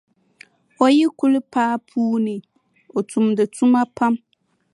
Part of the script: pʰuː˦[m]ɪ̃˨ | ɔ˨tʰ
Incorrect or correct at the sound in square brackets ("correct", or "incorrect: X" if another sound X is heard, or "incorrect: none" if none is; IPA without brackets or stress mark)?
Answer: incorrect: n